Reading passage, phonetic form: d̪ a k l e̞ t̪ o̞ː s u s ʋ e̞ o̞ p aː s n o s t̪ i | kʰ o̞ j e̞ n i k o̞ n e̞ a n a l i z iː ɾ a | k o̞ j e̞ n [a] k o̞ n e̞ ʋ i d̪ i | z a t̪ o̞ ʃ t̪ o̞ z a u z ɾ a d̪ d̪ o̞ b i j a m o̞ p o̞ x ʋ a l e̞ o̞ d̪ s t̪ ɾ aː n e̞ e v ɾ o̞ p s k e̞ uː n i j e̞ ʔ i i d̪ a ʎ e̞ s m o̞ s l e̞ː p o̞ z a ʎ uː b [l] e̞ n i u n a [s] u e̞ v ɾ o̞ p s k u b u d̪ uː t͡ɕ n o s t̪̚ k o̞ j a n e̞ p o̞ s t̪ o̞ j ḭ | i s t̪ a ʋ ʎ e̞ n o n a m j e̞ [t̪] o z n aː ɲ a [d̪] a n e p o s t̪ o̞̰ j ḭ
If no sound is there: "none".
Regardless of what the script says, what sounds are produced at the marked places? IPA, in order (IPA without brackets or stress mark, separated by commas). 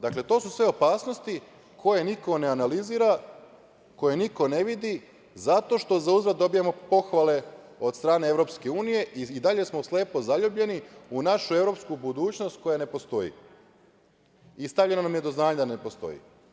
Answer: i, ʎ, ʃ, d̪, d̪